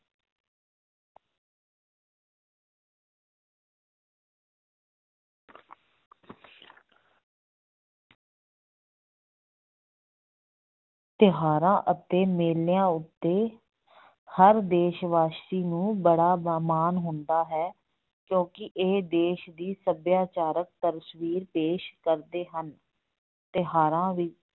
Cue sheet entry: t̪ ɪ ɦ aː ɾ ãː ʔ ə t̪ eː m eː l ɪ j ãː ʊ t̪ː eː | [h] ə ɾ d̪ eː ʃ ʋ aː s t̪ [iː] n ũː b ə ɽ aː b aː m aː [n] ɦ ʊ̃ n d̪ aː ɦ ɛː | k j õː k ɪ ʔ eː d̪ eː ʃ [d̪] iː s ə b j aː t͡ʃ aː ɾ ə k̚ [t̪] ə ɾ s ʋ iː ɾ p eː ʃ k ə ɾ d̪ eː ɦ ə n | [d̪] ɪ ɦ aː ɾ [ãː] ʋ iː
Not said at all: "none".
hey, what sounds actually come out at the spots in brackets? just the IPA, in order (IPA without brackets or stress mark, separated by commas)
h, iː, n, d̪, t̪, t̪, ãː